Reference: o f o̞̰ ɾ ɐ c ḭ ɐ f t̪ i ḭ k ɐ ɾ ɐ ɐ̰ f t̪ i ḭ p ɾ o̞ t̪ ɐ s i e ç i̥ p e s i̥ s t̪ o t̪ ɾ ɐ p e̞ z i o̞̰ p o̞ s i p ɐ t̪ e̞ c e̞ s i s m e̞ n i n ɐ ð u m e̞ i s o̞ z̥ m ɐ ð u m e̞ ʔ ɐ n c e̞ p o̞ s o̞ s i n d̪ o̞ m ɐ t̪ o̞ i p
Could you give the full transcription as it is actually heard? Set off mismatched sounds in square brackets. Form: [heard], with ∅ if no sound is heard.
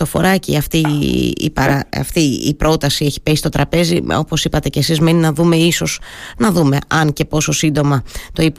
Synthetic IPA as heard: o f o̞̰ ɾ ɐ c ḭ ɐ f t̪ i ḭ [p] ɐ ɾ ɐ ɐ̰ f t̪ i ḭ p ɾ o̞ t̪ ɐ s i e ç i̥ p e s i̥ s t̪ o t̪ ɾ ɐ p e̞ z i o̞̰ p o̞ s i p ɐ t̪ e̞ c e̞ s i [z] m e̞ n i n ɐ ð u m e̞ i s o̞ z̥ [n] ɐ ð u m e̞ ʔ ɐ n c e̞ p o̞ s o̞ s i n d̪ o̞ m ɐ t̪ o̞ i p